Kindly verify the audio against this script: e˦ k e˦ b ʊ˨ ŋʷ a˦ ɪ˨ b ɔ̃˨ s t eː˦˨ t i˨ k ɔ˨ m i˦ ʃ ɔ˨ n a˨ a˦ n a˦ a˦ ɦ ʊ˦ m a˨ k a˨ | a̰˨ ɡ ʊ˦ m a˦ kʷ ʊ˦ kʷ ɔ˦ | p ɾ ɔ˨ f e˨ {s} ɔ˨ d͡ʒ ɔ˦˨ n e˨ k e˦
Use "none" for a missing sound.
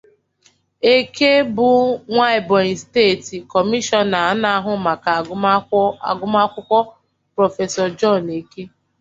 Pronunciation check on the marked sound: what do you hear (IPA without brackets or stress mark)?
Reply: s